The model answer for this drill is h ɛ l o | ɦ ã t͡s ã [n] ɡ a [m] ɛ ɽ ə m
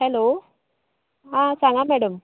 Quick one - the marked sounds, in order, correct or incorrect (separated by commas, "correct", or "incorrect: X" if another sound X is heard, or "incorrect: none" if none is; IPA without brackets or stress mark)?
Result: incorrect: ŋ, correct